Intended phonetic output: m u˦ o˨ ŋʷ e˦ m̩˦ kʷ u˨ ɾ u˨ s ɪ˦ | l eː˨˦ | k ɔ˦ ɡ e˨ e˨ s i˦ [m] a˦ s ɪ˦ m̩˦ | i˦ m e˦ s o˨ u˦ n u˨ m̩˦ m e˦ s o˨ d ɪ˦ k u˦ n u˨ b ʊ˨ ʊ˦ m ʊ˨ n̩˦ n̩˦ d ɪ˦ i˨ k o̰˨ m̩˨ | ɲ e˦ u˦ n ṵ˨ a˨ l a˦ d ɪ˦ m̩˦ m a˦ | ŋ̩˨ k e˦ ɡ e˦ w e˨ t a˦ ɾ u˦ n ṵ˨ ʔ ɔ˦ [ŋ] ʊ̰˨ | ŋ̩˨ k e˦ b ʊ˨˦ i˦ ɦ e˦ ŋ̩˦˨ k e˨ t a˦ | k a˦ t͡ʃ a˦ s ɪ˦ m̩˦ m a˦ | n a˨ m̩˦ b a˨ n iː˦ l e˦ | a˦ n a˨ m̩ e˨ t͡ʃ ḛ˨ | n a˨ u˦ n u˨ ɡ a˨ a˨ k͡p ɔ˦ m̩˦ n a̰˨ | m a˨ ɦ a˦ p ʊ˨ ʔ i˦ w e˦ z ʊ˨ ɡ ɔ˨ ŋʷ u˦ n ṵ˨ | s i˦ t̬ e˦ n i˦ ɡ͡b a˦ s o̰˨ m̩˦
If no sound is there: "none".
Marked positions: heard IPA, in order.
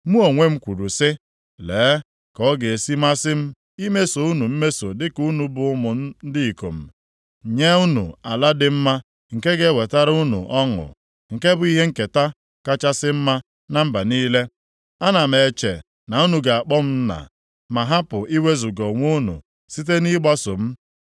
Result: m, ŋ

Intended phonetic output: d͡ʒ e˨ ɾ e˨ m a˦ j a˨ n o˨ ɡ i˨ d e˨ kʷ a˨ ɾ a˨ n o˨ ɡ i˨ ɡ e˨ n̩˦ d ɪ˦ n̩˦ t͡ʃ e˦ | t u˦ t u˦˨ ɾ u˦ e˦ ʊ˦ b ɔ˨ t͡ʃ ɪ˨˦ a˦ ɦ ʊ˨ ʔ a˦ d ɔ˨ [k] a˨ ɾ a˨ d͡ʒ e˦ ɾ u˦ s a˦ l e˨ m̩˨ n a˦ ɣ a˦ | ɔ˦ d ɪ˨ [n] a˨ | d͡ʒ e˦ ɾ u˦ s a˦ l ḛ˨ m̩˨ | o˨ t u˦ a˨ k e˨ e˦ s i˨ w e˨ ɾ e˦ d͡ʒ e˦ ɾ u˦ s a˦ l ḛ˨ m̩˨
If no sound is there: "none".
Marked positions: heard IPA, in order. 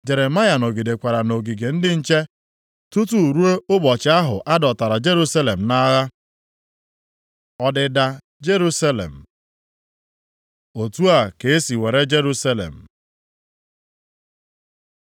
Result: t, d

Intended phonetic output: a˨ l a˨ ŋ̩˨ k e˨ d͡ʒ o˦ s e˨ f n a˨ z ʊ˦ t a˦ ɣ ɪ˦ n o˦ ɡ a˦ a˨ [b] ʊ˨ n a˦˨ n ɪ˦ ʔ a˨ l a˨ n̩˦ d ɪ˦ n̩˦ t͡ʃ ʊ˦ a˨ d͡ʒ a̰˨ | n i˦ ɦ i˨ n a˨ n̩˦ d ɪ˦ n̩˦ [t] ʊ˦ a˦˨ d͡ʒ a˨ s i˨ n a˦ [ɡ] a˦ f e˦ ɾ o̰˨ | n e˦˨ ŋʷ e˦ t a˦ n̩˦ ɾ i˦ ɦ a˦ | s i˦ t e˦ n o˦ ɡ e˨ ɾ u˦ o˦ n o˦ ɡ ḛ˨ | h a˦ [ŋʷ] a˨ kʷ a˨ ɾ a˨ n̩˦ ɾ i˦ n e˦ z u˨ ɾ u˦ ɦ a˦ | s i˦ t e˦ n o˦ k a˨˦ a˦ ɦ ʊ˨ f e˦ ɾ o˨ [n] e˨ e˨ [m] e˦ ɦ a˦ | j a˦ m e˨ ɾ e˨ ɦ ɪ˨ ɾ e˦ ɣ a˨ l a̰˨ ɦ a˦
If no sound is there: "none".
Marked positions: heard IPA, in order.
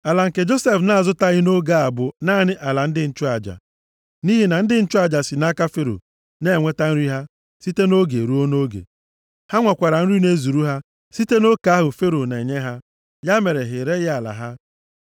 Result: b, t͡ʃ, k, ŋʷ, n, ɲ

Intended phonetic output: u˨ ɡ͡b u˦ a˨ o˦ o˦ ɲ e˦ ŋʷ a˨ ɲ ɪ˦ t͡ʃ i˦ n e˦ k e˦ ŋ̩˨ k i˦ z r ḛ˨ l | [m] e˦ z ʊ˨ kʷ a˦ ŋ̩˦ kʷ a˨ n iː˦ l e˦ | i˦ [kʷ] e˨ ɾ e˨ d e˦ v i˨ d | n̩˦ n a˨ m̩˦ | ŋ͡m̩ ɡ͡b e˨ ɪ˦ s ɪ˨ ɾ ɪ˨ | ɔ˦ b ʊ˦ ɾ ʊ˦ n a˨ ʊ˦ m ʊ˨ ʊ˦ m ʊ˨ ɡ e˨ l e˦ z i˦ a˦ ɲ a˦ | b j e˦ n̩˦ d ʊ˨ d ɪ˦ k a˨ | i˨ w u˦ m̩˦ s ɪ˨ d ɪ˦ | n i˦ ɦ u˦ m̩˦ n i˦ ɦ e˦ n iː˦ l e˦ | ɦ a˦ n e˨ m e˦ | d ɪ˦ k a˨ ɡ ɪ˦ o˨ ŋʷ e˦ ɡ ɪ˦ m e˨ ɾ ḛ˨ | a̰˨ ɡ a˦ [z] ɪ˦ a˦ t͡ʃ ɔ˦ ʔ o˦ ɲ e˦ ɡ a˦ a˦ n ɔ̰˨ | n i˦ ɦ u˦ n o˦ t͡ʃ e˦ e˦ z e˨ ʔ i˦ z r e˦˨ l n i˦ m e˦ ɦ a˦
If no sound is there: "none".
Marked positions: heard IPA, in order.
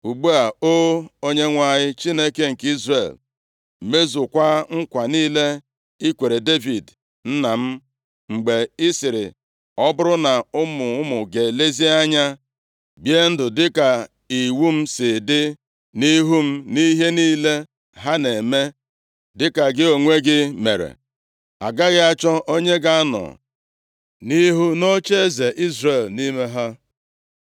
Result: m, kʷ, ɣ

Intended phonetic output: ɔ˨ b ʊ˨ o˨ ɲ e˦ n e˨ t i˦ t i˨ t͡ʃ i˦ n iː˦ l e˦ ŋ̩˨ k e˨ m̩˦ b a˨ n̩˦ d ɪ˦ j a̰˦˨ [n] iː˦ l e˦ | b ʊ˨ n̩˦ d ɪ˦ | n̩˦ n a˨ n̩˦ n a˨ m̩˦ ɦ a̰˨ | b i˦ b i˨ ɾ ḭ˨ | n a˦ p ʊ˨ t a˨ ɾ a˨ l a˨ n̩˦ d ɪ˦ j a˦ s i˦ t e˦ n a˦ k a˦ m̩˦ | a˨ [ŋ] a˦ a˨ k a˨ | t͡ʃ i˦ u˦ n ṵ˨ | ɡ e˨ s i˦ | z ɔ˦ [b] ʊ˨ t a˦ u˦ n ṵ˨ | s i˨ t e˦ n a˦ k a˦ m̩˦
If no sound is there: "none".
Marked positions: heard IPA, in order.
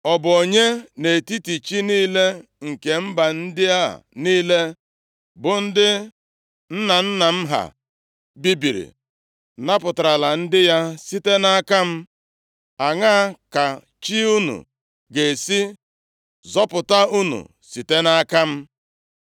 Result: n, ŋ, p

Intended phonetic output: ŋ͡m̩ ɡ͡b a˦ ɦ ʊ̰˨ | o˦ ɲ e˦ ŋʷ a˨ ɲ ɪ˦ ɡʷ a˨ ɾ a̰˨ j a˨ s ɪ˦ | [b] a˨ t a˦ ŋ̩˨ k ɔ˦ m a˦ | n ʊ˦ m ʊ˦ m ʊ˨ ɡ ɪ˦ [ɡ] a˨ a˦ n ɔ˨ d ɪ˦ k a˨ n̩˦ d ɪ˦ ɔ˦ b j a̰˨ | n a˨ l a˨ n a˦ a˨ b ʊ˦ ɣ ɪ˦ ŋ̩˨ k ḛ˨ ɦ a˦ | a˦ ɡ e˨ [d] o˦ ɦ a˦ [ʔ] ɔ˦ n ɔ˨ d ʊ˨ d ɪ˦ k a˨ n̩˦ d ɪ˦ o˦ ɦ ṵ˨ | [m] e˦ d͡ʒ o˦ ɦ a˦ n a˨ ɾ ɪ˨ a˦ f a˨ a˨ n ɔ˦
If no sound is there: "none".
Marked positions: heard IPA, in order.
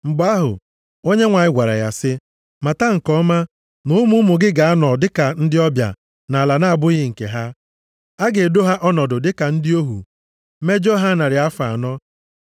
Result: m, ɡ, d, ʔ, m

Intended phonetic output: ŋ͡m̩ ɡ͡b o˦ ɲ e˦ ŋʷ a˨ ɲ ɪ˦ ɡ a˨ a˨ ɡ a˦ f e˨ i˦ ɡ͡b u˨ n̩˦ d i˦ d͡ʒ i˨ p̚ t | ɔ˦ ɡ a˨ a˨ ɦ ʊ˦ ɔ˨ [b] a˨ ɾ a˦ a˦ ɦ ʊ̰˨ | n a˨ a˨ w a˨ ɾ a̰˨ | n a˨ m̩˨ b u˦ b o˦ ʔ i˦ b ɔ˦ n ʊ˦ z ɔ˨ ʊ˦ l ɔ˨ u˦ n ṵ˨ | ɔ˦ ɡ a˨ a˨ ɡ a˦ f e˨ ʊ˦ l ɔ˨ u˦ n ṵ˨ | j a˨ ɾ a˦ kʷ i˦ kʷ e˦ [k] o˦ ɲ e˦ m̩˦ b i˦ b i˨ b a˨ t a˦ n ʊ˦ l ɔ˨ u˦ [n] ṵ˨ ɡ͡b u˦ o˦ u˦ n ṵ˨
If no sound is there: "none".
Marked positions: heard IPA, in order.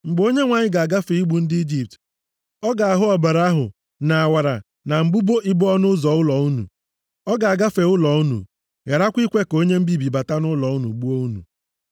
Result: b, k, n

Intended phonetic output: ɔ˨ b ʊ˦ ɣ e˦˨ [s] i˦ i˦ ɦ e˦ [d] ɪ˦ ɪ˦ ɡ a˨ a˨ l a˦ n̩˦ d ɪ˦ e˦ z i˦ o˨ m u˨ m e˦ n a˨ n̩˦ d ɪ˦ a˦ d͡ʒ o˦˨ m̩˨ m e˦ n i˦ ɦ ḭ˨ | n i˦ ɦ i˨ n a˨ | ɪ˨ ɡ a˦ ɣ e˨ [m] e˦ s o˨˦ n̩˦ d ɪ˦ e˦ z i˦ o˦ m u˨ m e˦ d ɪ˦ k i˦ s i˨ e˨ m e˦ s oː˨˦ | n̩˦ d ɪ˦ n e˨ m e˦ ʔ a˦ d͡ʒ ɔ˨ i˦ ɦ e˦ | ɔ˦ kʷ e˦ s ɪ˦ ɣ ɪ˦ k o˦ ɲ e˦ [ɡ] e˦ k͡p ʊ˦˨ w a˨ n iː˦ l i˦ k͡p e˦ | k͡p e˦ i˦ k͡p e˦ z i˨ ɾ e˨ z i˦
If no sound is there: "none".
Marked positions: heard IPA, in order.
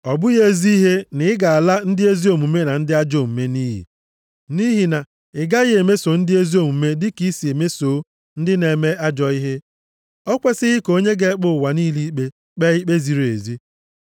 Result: z, n, m, ɡ

